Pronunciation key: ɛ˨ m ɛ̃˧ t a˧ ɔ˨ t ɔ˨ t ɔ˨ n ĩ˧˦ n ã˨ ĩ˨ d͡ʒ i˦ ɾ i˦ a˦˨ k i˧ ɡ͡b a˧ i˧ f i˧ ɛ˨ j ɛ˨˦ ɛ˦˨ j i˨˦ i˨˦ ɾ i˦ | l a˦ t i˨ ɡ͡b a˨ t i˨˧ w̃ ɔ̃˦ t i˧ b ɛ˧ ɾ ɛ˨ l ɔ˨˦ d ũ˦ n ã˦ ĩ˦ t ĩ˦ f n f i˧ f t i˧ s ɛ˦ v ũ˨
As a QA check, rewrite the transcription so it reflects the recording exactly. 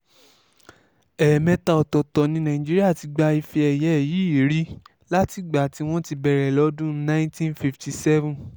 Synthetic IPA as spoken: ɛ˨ m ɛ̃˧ t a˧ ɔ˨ t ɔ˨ t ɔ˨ n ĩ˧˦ n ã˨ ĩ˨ d͡ʒ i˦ ɾ i˦ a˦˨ t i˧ ɡ͡b a˧ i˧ f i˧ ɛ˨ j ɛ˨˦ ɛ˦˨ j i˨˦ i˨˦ ɾ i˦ | l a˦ t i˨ ɡ͡b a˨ t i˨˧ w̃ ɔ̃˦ t i˧ b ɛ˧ ɾ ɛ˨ l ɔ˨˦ d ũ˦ n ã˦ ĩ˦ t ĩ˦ n f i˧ f t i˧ s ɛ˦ v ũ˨